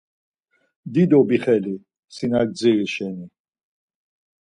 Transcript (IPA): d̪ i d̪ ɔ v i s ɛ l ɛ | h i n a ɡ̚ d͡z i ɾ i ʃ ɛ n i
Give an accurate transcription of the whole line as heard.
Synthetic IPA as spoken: d̪ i d̪ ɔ b i χ ɛ l i | s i n a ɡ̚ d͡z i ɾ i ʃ ɛ n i